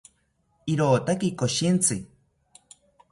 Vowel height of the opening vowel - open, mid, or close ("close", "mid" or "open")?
close